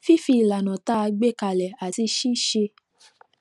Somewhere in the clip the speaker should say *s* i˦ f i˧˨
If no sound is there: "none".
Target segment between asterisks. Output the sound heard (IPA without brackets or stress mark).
f